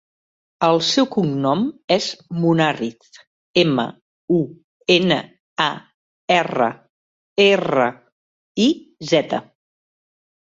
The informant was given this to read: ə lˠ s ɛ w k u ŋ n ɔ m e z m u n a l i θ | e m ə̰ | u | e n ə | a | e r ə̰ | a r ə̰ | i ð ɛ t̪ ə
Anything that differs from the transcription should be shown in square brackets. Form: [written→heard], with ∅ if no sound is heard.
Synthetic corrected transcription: ə lˠ s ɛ w k u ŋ n ɔ m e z m u n a [l→r] i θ | e m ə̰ | u | e n ə | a | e r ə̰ | [a→e] r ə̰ | i [ð→z] ɛ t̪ ə

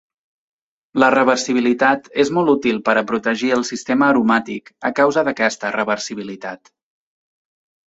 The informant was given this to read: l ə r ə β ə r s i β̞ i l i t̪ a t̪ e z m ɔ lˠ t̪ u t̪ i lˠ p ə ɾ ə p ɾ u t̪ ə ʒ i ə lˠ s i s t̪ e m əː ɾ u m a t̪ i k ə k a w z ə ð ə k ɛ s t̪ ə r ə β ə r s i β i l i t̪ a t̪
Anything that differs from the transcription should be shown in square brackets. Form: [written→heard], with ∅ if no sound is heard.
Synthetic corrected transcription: l ə r ə β ə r s i β̞ i l i t̪ a t̪ e z m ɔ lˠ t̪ u t̪ i lˠ p ə ɾ ə p ɾ u t̪ ə ʒ i ə lˠ s i s t̪ e m əː ɾ u m a t̪ i k ə k a w z ə ð ə k ɛ s t̪ ə r ə β ə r s i β i l i t̪ a t̪

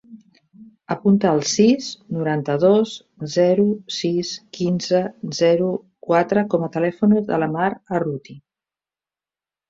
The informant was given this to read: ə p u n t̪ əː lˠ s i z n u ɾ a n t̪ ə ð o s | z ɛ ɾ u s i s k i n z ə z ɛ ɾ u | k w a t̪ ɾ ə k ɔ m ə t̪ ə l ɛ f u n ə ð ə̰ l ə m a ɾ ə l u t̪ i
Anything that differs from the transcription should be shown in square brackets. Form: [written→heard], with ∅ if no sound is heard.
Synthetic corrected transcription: ə p u n t̪ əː lˠ s i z n u ɾ a n t̪ ə ð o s | z ɛ ɾ u s i s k i n z ə z ɛ ɾ u | k w a t̪ ɾ ə k ɔ m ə t̪ ə l ɛ f u n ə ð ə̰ l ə m a ɾ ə [l→r] u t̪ i

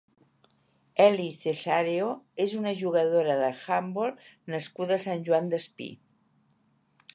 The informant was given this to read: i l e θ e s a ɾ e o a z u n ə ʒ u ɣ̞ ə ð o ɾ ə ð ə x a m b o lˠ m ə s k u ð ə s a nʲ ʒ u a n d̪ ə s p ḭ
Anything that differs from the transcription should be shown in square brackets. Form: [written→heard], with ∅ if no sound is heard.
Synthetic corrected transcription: [i→ɛ] l [e→i] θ e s a ɾ e o [a→e] z u n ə ʒ u ɣ̞ ə ð o ɾ ə ð ə x a m b o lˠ [m→n] ə s k u ð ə s a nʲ ʒ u a n d̪ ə s p ḭ

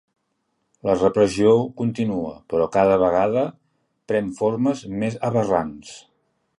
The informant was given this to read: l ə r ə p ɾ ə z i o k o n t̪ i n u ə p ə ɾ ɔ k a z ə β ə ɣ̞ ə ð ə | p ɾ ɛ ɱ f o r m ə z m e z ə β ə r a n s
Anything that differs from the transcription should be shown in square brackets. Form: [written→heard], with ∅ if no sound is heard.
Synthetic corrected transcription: l ə r ə p ɾ ə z i o k [o→u] n t̪ i n u ə p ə ɾ ɔ k a [z→ð] ə β ə ɣ̞ [ə→a] ð ə | p ɾ ɛ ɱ f o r m ə z m e z ə β ə r a n s

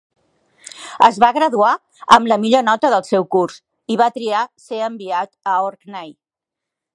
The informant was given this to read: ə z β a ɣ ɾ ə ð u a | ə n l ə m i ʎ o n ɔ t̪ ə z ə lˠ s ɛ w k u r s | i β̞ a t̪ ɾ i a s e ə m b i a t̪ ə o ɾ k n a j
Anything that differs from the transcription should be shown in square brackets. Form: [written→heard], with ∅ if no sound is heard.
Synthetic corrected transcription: ə z β a ɣ ɾ ə ð u a | ə [n→m] l ə m i ʎ o n ɔ t̪ ə [z→ð] ə lˠ s ɛ w k u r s | i β̞ a t̪ ɾ i a s e ə m b i a t̪ ə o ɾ k n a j

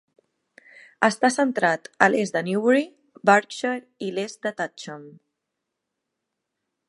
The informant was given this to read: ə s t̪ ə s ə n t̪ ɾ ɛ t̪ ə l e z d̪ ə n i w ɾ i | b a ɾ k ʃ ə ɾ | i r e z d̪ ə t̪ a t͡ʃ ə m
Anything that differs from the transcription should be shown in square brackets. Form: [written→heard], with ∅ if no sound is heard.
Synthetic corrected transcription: ə s t̪ [ə→a] s ə n t̪ ɾ [ɛ→a] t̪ ə l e z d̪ ə n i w ɾ i | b a ɾ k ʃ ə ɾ | i [r→l] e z d̪ ə t̪ a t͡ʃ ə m

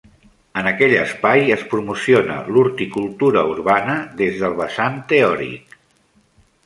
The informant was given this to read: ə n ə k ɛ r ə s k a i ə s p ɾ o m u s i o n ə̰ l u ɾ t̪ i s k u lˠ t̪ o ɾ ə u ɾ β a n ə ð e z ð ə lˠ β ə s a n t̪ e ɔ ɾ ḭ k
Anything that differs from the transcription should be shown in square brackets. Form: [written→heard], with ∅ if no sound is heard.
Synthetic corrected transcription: ə n ə k ɛ [r→ʎ] ə s [k→p] a [i→j] ə s p ɾ [o→u] m u s i o n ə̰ l u ɾ t̪ i [s→∅] k u lˠ t̪ [o→u] ɾ ə u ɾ β a n ə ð e z ð ə lˠ β ə s a n t̪ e ɔ ɾ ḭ k

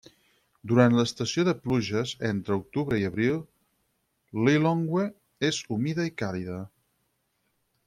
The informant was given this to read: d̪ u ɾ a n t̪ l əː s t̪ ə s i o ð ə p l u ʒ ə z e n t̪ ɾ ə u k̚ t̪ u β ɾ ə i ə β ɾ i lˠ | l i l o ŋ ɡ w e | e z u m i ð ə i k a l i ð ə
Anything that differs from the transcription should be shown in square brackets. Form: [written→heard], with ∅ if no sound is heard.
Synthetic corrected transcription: d̪ u ɾ a n t̪ l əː s t̪ ə s i o ð ə p l u ʒ ə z e n t̪ ɾ ə u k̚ t̪ u β ɾ ə i ə β ɾ i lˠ | l i l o ŋ ɡ w e | e z u m i ð ə i k a l i ð ə

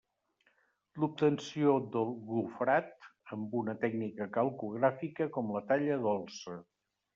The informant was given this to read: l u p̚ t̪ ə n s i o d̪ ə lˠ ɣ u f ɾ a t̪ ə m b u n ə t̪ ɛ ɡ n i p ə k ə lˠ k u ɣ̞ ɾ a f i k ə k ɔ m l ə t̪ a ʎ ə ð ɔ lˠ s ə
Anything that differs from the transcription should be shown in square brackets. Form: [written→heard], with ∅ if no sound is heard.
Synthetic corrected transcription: l u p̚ t̪ ə n s i o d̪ ə lˠ ɣ u f ɾ a t̪ ə m b u n ə t̪ ɛ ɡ n i [p→k] ə k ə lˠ k u ɣ̞ ɾ a f i k ə k ɔ m l ə t̪ a ʎ ə ð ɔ lˠ s ə

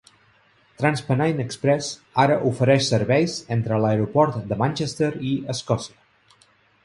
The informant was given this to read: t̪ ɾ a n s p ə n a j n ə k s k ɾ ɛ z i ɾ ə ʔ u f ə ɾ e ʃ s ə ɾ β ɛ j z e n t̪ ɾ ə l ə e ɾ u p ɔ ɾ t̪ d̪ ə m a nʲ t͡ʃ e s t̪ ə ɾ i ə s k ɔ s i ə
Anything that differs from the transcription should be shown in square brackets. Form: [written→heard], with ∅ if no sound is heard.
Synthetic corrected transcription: t̪ ɾ a n s p ə n a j n ə k s [k→p] ɾ ɛ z [i→a] ɾ ə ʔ u f ə ɾ [e→ɛ] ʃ s ə ɾ β ɛ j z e n t̪ ɾ ə l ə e ɾ u p ɔ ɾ t̪ d̪ ə m a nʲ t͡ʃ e s t̪ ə ɾ i ə s k ɔ s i ə

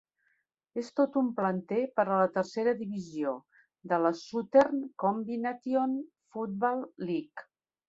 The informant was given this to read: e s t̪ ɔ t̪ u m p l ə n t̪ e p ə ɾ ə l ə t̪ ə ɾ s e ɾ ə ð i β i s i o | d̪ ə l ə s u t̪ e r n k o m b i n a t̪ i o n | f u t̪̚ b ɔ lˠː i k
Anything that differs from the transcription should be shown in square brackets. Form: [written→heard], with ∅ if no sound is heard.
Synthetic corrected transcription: e s t̪ [ɔ→o] t̪ u m p l ə n t̪ e p ə ɾ ə l ə t̪ ə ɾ s e ɾ ə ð i β i [s→z] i o | d̪ ə l ə s u t̪ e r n k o m b i n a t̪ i o n | f u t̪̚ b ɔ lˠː i k

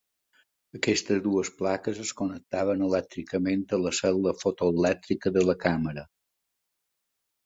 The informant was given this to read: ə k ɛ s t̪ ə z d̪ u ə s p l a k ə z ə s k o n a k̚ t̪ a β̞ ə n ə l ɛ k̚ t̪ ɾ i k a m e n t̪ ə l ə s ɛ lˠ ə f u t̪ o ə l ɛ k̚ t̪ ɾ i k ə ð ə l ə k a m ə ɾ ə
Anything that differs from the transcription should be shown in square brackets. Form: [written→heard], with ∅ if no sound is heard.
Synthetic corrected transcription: ə k ɛ s t̪ ə z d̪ u ə s p l a k ə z ə s k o n [a→ə] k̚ t̪ a β̞ ə n ə l ɛ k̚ t̪ ɾ i k [a→ə] m e n t̪ ə l ə s ɛ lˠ ə f [u→o] t̪ o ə l ɛ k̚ t̪ ɾ i k ə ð ə l ə k a m ə ɾ ə

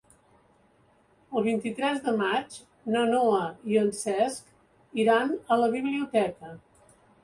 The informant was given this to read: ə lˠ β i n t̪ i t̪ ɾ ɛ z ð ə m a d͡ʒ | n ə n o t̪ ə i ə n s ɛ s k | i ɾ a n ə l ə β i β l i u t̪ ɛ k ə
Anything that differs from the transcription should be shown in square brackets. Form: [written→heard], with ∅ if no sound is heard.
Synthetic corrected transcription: ə lˠ β i n t̪ i t̪ ɾ ɛ z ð ə m a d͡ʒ | n ə n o [t̪→∅] ə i ə n s ɛ s k | i ɾ a n ə l ə β i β l i u t̪ ɛ k ə

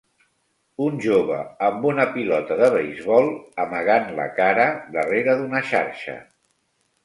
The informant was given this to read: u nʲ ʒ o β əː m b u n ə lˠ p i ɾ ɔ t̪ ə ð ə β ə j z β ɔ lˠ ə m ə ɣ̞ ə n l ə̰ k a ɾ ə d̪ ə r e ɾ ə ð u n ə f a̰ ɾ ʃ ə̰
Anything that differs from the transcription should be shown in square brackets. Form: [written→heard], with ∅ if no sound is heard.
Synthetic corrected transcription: u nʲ ʒ o β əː m b u n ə [lˠ→∅] p i [ɾ→l] ɔ t̪ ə ð ə β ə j z β ɔ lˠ ə m ə ɣ̞ [ə→a] n l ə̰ k a ɾ ə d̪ ə r e ɾ ə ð u n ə [f→ʃ] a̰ ɾ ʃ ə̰

